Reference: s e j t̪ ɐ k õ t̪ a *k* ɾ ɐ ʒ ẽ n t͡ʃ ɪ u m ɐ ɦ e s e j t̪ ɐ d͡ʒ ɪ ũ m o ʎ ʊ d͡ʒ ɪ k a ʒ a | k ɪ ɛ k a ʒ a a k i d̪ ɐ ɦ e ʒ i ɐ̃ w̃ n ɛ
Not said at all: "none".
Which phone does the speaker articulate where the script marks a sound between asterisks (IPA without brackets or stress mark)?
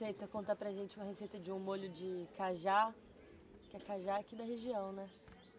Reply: p